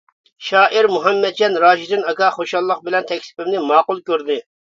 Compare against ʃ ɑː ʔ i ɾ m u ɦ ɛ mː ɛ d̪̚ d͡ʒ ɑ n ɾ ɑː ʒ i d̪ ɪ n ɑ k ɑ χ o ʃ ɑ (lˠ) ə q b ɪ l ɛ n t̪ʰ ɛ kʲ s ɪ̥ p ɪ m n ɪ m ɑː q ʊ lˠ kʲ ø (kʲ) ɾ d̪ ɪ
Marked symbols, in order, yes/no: no, no

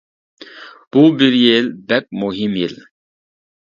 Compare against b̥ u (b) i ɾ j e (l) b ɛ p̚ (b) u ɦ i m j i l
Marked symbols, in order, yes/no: yes, yes, no

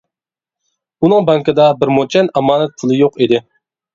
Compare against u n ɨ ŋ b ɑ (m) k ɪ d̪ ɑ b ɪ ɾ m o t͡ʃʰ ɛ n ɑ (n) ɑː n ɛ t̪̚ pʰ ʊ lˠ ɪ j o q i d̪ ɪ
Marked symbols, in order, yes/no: no, no

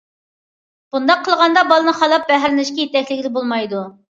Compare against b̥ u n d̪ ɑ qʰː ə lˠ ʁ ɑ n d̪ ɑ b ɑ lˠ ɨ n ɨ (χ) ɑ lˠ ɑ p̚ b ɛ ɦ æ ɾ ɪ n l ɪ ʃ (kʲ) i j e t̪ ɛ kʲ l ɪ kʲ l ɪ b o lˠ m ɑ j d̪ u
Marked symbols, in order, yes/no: yes, yes

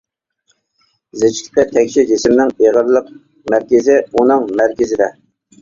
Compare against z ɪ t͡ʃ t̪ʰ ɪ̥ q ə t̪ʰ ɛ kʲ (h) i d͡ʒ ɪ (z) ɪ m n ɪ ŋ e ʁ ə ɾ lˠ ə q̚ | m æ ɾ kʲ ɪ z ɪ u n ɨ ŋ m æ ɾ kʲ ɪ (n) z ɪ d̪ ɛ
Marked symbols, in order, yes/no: no, no, no

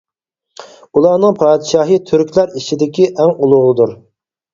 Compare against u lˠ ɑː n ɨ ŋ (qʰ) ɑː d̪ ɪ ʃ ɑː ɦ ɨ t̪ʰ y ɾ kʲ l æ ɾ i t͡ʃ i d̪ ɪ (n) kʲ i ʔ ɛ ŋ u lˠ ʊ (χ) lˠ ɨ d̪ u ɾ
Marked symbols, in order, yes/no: no, no, no

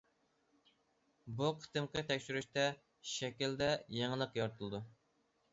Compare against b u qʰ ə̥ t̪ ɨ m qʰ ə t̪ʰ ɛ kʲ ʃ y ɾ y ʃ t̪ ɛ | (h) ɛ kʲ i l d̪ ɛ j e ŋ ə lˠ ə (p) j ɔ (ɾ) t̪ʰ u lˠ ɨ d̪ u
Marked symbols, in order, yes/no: no, no, yes

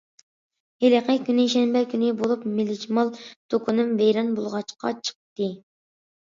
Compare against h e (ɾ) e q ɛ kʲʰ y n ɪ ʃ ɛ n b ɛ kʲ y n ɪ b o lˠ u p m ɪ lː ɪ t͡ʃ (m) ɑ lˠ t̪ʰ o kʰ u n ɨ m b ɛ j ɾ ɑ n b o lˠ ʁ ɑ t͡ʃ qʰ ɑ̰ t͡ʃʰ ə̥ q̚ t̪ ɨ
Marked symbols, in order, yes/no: no, yes

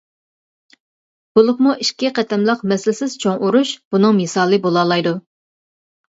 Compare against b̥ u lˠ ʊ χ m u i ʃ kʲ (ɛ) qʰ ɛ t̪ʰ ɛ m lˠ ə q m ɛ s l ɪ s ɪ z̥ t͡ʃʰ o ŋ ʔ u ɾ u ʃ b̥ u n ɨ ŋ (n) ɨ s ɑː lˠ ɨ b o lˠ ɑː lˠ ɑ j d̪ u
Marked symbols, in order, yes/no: no, no

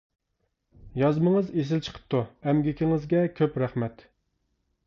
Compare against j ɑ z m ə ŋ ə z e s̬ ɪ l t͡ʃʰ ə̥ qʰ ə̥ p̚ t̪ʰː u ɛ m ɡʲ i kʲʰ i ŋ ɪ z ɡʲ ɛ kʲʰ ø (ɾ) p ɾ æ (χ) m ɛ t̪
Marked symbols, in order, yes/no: no, yes

